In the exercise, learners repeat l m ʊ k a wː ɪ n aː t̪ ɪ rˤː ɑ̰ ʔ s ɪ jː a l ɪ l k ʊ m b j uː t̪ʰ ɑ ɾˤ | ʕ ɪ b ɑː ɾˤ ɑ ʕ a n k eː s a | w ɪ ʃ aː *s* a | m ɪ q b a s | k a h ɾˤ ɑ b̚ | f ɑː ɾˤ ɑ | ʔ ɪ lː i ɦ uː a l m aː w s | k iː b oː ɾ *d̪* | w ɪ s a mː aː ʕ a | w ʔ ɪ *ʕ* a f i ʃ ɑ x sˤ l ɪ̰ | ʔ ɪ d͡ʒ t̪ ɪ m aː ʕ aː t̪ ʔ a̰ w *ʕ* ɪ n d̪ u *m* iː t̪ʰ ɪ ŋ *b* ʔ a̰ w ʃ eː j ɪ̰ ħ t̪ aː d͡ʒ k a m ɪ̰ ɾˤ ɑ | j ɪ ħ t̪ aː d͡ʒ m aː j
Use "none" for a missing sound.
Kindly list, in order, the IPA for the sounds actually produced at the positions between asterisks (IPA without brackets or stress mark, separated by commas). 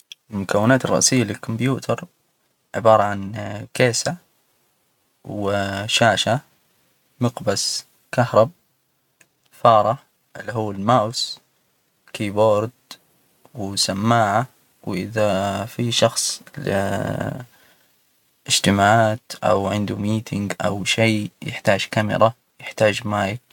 ʃ, d̪, ð, ʕ, m, ɡ